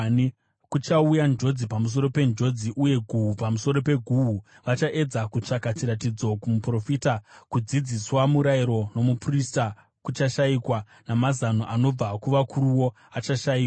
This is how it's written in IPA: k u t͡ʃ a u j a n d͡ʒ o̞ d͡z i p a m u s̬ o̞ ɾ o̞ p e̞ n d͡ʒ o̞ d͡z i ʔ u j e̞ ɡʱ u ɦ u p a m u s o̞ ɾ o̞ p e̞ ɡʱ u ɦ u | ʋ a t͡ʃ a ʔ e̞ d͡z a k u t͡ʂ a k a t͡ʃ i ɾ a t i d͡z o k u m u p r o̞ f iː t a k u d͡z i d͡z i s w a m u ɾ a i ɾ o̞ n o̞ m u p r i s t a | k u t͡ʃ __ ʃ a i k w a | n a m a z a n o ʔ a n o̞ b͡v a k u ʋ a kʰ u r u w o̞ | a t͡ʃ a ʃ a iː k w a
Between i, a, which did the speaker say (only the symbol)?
a